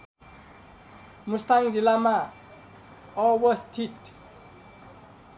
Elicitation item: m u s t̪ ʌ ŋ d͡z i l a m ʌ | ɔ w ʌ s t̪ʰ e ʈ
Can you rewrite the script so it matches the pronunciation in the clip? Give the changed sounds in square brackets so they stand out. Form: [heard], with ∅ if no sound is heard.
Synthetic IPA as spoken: m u s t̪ [a] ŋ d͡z i l a m [a] | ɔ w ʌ s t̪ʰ [i] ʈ